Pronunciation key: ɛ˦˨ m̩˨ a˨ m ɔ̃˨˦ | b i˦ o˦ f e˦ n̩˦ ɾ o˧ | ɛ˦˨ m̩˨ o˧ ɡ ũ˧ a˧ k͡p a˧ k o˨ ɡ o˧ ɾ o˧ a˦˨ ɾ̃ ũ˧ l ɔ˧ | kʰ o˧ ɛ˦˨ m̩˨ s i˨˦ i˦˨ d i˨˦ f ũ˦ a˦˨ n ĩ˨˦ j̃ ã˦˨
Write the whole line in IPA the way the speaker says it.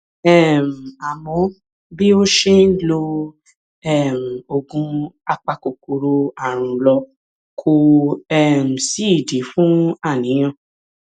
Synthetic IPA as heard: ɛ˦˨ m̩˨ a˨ m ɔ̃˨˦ | b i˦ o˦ ʃ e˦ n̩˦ l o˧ | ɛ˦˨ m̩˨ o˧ ɡ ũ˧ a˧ k͡p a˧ k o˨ k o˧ ɾ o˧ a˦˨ ɾ̃ ũ˧ l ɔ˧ | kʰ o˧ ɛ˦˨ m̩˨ s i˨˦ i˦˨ d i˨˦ f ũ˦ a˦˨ n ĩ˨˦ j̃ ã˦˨